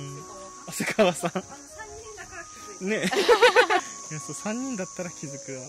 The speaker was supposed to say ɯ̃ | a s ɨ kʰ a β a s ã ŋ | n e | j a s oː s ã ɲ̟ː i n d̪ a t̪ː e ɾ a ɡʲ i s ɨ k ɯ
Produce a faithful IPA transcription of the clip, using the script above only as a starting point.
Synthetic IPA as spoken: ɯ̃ | a s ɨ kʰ a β a s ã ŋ | n e | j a s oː s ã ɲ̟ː ĩ n d̪ a t̪ː a ɾ a kʲ i z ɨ k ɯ